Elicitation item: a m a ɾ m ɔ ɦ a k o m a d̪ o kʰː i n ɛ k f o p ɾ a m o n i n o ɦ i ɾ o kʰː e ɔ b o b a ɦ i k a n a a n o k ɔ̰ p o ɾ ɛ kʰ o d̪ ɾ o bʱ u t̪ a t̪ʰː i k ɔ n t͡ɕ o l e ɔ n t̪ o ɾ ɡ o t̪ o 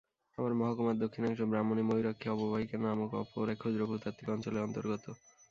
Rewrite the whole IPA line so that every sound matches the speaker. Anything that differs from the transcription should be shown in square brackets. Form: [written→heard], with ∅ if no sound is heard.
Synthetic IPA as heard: a m a ɾ m ɔ ɦ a k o m a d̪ o kʰː i n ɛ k [f→ʃ] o [p→b] ɾ a m o n i [n→m] o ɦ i ɾ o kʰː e ɔ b o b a ɦ i k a n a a [n→m] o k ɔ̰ p o ɾ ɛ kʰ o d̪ ɾ o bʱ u t̪ a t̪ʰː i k ɔ n t͡ɕ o l e ɔ n t̪ o ɾ ɡ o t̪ o